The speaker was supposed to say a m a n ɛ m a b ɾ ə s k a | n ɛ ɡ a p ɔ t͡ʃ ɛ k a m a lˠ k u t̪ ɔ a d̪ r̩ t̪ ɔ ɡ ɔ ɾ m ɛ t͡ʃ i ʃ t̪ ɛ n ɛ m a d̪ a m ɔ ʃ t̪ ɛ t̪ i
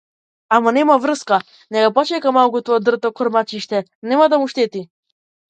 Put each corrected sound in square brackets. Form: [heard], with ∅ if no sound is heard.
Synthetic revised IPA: a m a n ɛ m a [v] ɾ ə s k a | n ɛ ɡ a p ɔ t͡ʃ ɛ k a m a lˠ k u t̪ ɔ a d̪ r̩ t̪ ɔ [k] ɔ ɾ m [a] t͡ʃ i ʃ t̪ ɛ n ɛ m a d̪ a m [u] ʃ t̪ ɛ t̪ i